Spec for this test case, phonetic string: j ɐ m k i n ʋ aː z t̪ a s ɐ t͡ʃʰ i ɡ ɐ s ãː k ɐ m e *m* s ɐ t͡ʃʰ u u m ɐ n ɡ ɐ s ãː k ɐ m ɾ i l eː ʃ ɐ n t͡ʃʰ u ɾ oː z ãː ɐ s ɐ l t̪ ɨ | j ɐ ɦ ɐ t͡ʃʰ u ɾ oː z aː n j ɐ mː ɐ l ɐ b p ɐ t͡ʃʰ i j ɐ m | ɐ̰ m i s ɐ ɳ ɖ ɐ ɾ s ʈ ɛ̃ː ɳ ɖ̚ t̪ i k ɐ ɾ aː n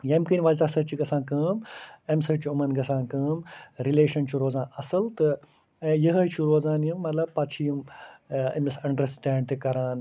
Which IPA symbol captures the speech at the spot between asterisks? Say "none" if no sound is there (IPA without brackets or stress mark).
m